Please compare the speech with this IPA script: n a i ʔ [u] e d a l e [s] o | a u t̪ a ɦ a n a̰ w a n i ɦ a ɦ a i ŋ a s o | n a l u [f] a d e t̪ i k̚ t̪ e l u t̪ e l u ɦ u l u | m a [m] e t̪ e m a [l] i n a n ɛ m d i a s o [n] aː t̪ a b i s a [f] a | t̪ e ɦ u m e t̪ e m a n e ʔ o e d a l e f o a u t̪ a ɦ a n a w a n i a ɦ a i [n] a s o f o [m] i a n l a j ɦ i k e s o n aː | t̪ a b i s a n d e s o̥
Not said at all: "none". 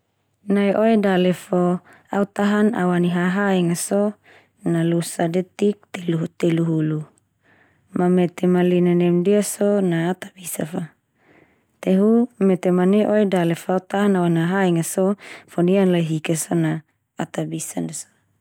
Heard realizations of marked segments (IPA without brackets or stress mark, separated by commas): o, f, s, m, l, n, f, ŋ, n